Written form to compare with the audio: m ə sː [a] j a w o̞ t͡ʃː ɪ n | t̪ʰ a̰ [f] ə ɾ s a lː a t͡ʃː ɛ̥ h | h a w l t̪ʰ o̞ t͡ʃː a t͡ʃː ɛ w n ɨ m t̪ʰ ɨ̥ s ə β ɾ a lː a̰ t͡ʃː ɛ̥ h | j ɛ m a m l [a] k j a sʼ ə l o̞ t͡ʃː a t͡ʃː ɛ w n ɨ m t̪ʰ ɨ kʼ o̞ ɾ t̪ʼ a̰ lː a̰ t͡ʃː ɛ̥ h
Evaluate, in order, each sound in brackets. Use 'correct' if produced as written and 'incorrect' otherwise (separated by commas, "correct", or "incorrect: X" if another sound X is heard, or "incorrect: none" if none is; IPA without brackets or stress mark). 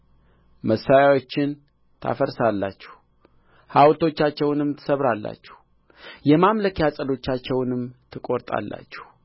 correct, correct, incorrect: ə